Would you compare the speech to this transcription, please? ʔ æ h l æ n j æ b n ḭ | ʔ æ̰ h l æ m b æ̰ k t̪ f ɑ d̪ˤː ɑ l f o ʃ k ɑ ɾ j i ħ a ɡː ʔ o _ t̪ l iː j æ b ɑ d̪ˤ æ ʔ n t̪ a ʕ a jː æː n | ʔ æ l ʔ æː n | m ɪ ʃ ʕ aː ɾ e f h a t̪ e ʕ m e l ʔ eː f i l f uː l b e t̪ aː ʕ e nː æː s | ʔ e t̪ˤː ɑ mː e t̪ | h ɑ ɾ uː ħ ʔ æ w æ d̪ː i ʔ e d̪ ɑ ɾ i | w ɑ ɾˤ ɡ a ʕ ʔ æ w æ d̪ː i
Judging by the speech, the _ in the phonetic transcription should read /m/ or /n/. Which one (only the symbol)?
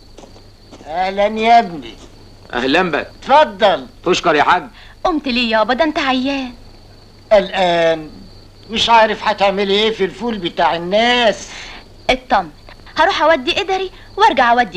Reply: m